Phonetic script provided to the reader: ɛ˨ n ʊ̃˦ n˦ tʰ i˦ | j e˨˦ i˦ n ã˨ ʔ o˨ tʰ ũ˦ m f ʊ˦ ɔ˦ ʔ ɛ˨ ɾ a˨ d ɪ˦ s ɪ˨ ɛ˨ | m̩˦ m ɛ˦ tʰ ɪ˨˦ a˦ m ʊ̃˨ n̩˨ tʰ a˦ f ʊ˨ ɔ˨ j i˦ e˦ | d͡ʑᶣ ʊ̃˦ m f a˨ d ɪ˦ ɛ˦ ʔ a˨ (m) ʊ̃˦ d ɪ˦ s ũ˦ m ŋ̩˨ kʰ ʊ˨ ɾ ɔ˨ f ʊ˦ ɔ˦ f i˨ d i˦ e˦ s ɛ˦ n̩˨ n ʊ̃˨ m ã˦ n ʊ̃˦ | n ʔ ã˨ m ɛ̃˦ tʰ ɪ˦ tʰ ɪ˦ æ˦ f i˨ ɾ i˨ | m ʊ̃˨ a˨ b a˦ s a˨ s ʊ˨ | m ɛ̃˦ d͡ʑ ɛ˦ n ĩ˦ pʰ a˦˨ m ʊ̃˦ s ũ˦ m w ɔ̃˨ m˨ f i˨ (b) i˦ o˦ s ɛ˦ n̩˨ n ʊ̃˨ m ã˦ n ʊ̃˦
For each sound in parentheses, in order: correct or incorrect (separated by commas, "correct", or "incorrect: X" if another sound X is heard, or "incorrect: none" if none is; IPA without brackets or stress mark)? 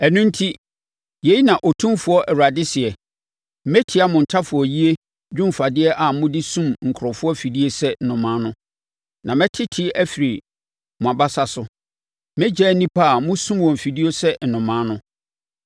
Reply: correct, incorrect: d